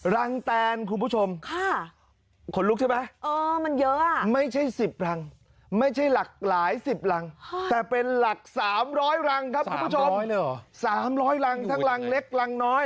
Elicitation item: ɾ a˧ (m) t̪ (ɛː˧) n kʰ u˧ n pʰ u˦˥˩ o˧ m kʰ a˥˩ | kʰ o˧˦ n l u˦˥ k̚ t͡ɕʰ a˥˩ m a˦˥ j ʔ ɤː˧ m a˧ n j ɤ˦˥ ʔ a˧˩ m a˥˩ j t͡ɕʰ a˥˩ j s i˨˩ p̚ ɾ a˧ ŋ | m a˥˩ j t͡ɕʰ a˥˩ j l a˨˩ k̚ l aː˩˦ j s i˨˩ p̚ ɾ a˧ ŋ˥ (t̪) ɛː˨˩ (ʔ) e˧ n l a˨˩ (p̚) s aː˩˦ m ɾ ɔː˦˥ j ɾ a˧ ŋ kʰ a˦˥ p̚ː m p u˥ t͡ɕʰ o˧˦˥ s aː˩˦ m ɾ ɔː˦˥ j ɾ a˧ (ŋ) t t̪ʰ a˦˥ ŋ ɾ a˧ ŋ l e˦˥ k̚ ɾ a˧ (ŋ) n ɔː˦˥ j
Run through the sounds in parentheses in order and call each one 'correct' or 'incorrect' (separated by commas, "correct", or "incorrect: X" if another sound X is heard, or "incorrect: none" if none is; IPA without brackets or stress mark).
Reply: incorrect: ŋ, correct, correct, incorrect: p, incorrect: k̚, correct, correct